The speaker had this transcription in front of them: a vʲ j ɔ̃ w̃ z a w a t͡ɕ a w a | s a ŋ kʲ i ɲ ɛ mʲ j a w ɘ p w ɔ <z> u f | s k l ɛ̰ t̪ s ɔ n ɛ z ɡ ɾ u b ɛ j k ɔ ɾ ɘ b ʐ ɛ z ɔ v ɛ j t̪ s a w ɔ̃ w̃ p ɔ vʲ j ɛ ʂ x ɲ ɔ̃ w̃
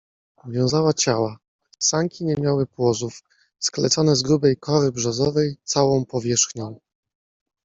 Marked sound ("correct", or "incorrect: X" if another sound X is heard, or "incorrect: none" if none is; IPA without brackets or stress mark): correct